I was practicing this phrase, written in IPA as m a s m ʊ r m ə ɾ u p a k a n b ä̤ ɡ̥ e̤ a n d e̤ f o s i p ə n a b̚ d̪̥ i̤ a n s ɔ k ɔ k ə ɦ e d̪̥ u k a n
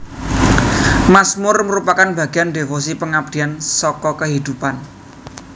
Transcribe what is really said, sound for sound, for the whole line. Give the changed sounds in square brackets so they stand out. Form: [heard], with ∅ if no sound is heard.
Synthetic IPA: m a s m ʊ r m ə ɾ u p a k a n b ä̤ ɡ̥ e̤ a n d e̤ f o s i p ə [ŋ] a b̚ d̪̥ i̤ a n s ɔ k ɔ k ə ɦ [i] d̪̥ u [p] a n

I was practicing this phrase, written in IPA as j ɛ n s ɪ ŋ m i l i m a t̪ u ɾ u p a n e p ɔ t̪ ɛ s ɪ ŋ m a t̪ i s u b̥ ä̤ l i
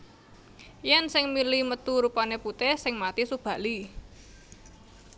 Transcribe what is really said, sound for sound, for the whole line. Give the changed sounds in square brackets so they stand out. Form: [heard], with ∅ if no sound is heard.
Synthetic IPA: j ɛ n s ɪ ŋ m i l i m [ə] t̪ u ɾ u p a n e p [u] t̪ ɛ s ɪ ŋ m a t̪ i s u b̥ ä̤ l i

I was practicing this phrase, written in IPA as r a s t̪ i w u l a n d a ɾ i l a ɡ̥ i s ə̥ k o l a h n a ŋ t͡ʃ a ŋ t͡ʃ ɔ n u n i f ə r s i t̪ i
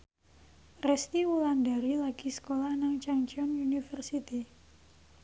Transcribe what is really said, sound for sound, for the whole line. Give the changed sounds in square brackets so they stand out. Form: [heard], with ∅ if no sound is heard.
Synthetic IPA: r [ɛ] s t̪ i w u l a n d a ɾ i l a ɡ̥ i s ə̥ k o l a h n a ŋ t͡ʃ a ŋ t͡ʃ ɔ n u n i f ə r s i t̪ i

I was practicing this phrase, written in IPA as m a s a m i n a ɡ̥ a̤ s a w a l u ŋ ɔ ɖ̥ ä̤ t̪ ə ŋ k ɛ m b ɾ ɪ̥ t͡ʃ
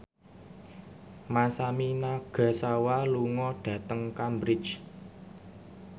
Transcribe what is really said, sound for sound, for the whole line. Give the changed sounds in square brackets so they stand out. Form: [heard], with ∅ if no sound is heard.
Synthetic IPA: m a s a m i n a ɡ̥ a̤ s a w a l u ŋ ɔ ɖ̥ ä̤ t̪ ə ŋ k [a] m b ɾ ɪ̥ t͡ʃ

